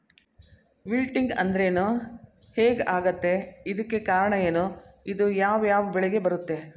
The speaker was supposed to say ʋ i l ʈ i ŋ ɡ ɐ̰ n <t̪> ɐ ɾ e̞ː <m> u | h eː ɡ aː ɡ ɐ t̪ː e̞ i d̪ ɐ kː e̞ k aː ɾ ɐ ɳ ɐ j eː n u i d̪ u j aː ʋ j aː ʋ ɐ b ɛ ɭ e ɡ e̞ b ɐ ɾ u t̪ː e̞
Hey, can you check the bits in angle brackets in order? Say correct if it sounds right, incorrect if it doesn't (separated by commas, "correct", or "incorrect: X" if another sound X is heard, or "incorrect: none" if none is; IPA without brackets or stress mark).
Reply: incorrect: d̪, incorrect: n